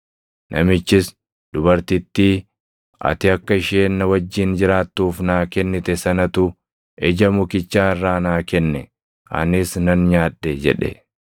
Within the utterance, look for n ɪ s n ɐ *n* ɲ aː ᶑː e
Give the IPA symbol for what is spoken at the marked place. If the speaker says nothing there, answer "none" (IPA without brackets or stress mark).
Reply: n